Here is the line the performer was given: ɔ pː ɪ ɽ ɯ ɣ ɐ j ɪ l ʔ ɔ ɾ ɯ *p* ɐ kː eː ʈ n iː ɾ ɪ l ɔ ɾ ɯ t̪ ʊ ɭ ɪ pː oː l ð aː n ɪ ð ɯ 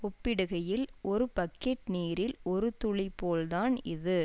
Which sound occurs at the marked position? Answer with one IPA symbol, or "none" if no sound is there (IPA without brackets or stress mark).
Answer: p